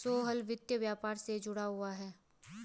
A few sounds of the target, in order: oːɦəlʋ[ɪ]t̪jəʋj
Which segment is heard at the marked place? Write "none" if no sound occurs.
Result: ɪ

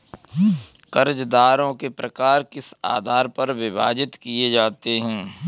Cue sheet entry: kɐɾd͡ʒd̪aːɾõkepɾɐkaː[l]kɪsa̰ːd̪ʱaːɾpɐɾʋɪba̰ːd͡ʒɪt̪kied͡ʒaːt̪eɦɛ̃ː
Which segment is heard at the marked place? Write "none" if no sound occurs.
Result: ɾ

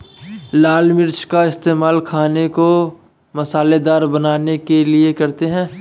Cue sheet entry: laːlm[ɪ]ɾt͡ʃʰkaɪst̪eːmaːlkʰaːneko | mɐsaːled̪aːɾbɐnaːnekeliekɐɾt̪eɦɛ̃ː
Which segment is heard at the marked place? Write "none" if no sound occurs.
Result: ɪ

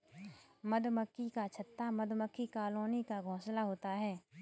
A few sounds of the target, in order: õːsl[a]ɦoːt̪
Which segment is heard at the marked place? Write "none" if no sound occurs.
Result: a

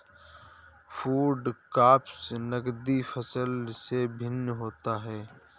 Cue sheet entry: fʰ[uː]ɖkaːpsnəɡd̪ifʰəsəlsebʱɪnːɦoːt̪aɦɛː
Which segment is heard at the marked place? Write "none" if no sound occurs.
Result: uː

